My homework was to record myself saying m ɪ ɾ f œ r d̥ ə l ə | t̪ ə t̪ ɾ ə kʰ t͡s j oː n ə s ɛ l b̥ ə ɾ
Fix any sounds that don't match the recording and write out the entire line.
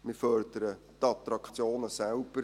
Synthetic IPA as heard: m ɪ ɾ f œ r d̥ ə ɾ ə | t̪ ɑ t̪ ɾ ɑ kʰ t͡s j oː n ə s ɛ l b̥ ə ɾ